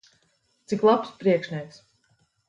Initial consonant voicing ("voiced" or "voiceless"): voiceless